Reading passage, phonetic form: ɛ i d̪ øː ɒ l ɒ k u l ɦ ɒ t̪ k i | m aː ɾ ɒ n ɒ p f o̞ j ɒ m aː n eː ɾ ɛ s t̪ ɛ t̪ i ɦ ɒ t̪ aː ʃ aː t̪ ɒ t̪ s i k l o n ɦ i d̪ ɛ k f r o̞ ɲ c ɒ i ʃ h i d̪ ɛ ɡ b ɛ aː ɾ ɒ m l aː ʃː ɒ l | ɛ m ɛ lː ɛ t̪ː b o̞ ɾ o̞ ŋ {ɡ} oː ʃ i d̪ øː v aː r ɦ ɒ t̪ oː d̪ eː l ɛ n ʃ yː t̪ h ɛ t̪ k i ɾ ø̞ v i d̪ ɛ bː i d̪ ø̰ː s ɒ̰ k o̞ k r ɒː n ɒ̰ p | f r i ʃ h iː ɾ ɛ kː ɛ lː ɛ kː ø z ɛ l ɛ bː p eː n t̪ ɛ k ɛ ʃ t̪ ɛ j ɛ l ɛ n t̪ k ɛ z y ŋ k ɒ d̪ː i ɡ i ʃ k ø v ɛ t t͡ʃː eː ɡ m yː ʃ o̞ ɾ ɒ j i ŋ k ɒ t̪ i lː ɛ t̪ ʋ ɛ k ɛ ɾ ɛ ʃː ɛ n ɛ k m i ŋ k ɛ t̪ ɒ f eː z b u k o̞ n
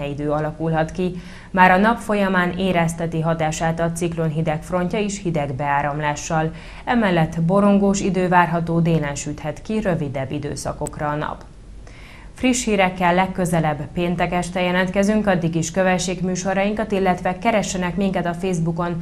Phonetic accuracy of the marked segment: correct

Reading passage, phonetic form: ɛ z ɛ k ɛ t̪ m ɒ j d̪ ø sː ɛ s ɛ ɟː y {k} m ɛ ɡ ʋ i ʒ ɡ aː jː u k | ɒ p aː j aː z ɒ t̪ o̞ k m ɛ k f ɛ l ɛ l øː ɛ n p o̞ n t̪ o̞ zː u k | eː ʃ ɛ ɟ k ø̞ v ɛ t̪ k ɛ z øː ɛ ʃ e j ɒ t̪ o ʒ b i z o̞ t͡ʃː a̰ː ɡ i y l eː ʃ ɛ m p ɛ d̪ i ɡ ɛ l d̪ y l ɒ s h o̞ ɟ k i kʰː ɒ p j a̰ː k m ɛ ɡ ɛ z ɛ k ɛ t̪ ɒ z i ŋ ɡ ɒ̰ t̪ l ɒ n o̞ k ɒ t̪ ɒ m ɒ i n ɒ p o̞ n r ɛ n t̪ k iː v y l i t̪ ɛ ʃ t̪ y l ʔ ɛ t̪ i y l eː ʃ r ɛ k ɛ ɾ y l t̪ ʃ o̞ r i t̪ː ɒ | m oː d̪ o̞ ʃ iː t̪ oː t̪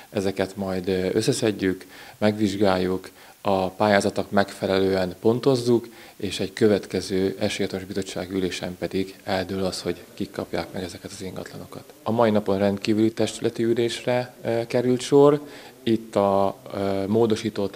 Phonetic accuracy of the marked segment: correct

